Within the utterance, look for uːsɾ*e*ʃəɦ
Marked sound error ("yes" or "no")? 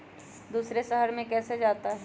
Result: no